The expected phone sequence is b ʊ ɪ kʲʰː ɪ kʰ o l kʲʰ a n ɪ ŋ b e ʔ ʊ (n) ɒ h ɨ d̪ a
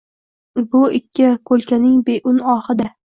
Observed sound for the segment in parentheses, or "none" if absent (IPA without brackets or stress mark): n